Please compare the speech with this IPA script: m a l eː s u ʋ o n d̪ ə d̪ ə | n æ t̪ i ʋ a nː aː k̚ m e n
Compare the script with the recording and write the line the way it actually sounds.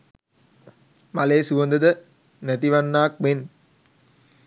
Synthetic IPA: m a l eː s u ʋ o n d̪ ə d̪ ə | n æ t̪ i ʋ a nː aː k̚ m e n